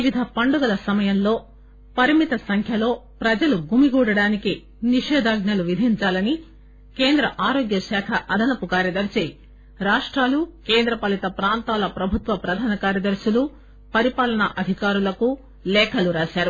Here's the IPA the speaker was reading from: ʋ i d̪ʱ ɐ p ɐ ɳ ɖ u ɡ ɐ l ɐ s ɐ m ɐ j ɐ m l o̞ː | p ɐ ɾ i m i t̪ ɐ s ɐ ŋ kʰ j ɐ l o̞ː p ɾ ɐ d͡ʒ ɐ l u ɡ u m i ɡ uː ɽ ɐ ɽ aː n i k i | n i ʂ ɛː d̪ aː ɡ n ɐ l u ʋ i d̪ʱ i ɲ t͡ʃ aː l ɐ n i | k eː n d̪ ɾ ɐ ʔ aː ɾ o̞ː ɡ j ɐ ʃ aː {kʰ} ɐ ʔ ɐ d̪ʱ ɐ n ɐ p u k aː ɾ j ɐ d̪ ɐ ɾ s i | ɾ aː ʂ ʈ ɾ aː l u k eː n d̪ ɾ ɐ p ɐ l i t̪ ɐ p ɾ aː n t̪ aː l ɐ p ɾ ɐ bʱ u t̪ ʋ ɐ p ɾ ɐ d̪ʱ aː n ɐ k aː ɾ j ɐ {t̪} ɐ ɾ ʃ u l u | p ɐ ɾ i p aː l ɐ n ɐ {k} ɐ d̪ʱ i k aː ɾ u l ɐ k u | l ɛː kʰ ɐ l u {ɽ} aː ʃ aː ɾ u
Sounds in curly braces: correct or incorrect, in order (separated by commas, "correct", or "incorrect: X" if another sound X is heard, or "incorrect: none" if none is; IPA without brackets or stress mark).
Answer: correct, incorrect: d̪, incorrect: ʔ, incorrect: ɾ